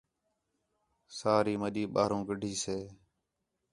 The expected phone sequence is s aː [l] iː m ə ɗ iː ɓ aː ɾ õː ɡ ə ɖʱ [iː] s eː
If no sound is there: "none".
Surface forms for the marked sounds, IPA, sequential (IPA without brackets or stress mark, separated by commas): ɾ, iː